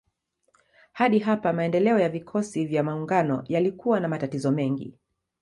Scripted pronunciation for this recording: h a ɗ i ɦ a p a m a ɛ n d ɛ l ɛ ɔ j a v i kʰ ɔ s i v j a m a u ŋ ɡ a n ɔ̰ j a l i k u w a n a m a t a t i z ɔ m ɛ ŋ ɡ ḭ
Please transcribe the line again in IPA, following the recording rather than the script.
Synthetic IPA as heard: h a ɗ i ɦ a p a m a ɛ n d ɛ l ɛ ɔ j a v i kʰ ɔ s i v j a m a u ŋ ɡ a n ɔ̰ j a l i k u w a n a m a t a t i z ɔ m ɛ ŋ ɡ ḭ